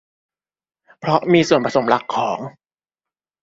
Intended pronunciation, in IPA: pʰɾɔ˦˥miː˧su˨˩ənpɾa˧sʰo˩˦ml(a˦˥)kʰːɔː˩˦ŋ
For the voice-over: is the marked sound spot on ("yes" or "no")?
yes